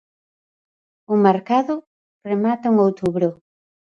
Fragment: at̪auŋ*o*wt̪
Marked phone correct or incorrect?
correct